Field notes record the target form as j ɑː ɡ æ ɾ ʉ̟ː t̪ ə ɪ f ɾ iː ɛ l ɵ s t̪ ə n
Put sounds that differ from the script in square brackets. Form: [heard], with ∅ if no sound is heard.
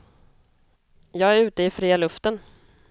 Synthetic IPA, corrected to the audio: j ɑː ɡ æ ɾ ʉ̟ː t̪ ə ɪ f ɾ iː [a] l ɵ [f] t̪ ə n